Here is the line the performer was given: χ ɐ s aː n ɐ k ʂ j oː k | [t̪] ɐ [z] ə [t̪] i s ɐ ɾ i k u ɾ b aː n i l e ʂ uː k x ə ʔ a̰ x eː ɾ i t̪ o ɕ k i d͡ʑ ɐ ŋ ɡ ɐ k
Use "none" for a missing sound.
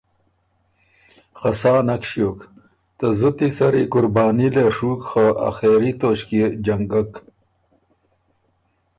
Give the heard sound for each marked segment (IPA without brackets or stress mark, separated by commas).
t̪, z, t̪